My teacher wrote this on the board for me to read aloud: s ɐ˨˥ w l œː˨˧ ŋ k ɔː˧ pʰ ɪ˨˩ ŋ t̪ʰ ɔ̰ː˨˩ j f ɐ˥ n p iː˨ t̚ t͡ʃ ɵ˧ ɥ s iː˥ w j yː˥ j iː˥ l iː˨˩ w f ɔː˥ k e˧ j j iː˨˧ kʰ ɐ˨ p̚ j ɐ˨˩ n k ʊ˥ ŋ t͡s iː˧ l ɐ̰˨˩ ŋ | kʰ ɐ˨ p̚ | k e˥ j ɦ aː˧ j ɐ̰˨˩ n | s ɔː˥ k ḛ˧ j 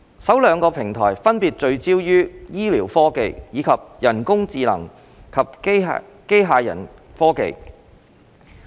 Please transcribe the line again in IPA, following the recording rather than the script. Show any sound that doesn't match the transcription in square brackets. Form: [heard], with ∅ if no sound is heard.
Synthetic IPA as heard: s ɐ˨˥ w l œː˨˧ ŋ k ɔː˧ pʰ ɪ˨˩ ŋ t̪ʰ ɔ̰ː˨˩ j f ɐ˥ n p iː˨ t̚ t͡ʃ ɵ˧ ɥ [t͡s] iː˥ w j yː˥ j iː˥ l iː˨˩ w f ɔː˥ k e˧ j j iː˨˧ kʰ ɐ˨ p̚ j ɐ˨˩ n k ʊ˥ ŋ t͡s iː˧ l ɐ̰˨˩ ŋ | kʰ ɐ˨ p̚ | k e˥ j ɦ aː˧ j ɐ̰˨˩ n | [f] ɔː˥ k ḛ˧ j